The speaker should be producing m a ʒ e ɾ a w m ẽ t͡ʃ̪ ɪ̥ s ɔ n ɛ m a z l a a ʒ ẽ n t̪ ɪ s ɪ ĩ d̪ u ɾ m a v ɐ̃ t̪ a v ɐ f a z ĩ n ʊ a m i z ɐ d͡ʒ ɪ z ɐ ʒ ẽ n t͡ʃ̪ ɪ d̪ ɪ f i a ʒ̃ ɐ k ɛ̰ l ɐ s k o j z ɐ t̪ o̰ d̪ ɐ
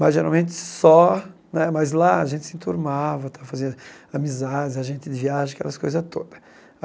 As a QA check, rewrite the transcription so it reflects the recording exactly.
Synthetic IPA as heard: m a ʒ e ɾ a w m ẽ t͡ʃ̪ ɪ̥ s ɔ n ɛ m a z l a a ʒ ẽ n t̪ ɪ s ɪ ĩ t̪ u ɾ m a v ɐ t̪ a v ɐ f a z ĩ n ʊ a m i z a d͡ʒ ɪ z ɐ ʒ ẽ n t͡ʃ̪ ɪ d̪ ɪ v i a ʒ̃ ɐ k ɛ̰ l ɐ s k o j z ɐ t̪ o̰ d̪ ɐ